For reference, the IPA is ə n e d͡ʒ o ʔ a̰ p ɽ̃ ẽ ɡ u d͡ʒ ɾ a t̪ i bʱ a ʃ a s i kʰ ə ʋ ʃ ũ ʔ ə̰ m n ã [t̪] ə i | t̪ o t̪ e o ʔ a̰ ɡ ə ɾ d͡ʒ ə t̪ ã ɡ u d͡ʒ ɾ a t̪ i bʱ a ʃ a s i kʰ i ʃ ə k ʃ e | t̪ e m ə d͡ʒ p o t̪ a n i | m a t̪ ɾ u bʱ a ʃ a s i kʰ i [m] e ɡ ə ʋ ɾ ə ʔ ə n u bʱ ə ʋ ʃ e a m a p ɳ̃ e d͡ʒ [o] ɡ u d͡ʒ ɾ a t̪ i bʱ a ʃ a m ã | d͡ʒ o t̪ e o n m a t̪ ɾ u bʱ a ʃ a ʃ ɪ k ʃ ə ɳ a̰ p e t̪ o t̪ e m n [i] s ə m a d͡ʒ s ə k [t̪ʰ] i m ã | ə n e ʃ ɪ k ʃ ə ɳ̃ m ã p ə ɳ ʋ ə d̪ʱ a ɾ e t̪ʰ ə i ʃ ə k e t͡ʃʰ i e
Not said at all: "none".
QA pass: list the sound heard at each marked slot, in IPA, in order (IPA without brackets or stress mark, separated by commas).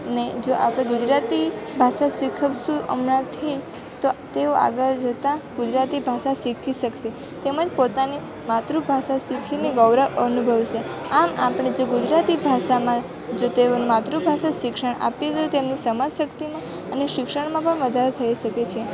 t̪ʰ, n, o, i, t̪